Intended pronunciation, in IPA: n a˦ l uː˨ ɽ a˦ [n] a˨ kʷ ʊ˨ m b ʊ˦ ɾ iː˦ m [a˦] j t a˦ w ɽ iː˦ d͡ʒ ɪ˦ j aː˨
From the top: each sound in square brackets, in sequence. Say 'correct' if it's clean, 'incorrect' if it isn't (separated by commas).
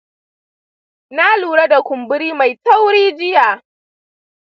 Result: incorrect, incorrect